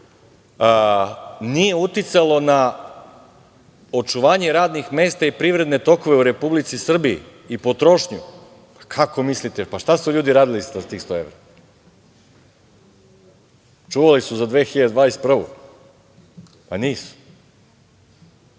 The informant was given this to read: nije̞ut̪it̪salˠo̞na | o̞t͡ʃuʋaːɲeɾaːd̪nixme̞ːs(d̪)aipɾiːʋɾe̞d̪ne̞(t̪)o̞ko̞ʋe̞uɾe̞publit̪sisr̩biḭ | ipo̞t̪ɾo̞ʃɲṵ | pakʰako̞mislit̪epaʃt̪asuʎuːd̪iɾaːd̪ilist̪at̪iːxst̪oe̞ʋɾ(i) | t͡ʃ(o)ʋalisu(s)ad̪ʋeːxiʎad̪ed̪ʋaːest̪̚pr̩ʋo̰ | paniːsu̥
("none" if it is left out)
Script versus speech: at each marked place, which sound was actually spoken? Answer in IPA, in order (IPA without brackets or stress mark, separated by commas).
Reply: t̪, t̪, a, u, z